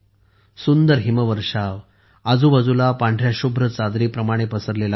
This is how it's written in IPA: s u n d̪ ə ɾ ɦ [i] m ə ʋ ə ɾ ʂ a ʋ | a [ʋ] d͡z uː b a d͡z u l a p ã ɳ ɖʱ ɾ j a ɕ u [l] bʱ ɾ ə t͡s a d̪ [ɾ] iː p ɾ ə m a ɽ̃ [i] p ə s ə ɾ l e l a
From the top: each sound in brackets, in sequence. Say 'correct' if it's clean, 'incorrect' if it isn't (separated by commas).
correct, incorrect, incorrect, correct, incorrect